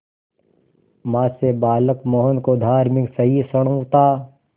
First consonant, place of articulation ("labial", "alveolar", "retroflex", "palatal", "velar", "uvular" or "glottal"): labial